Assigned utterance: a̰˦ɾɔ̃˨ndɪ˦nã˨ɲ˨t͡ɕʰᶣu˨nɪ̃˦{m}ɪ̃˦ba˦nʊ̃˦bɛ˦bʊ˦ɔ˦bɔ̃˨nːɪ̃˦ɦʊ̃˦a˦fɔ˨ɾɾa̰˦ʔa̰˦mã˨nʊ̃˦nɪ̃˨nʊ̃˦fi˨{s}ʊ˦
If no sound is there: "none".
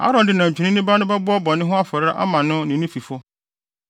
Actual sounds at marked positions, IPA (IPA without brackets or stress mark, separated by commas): n, f